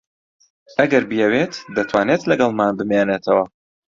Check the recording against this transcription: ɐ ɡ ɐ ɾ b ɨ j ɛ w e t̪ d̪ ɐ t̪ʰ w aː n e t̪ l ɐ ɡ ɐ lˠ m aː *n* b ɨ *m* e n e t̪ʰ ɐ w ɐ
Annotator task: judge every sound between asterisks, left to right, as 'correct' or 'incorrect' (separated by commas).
correct, correct